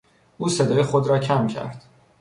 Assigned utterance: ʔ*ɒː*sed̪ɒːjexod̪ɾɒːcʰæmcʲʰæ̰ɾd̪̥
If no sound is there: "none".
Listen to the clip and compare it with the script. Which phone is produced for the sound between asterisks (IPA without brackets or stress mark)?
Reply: uː